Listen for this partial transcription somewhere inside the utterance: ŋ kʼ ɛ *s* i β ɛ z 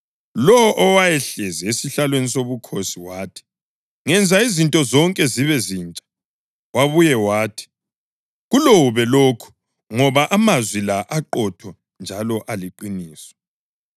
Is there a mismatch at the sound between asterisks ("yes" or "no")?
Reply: yes